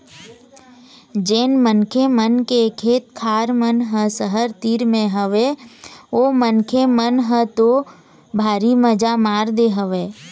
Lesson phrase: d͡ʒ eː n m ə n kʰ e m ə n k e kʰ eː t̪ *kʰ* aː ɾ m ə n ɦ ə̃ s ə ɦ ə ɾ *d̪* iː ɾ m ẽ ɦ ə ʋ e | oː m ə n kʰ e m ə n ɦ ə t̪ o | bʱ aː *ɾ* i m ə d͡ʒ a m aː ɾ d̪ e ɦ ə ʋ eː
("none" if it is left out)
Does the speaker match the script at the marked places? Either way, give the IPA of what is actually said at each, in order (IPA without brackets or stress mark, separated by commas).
kʰ, t̪, ɾ